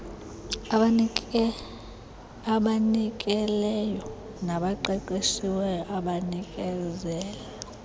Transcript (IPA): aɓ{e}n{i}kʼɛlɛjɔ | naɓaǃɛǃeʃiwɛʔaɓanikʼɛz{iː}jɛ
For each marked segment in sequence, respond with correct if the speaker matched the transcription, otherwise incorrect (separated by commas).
incorrect, correct, incorrect